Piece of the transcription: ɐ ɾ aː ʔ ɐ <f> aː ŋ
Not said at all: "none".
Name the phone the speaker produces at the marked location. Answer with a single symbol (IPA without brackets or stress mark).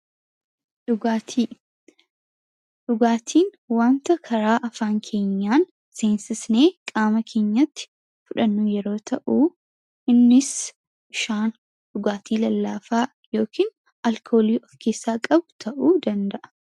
f